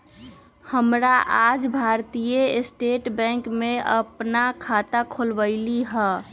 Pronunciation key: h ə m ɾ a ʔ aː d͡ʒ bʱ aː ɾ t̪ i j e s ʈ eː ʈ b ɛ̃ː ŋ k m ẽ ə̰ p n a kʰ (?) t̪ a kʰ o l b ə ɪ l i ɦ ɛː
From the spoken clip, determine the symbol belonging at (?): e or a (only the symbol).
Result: a